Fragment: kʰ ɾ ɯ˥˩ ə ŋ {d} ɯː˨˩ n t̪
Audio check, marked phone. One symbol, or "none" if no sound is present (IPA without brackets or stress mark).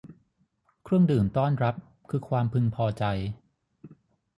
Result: d